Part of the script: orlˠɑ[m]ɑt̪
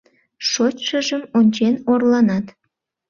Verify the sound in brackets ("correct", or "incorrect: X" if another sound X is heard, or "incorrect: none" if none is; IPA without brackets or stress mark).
incorrect: n